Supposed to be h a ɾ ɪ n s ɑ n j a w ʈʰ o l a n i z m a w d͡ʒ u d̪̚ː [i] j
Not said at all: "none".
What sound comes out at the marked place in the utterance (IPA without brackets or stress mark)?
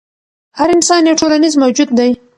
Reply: a